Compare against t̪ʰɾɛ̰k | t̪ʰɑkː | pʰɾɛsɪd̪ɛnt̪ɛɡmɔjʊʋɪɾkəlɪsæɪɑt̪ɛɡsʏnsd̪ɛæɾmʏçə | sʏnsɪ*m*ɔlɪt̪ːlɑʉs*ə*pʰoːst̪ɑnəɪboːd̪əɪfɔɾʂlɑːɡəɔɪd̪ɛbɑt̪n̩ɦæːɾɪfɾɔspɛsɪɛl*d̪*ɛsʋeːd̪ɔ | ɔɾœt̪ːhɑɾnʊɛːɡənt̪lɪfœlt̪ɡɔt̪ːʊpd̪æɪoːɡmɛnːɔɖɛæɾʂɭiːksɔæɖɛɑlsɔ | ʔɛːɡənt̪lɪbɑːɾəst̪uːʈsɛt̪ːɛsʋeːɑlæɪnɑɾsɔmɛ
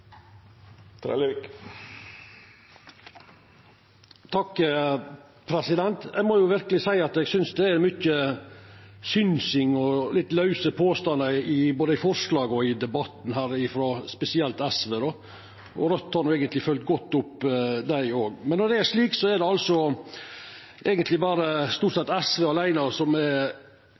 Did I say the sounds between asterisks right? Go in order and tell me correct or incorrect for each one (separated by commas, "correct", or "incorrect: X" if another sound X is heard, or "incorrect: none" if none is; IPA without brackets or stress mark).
incorrect: ŋ, correct, incorrect: t̪